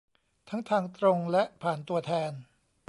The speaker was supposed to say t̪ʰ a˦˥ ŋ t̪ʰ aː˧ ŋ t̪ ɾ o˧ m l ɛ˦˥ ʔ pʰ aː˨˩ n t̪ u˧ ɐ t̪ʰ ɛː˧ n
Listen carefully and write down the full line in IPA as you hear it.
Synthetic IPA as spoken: t̪ʰ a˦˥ ŋ t̪ʰ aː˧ ŋ t̪ ɾ o˧ ŋ l ɛ˦˥ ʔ pʰ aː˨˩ n t̪ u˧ ɐ t̪ʰ ɛː˧ n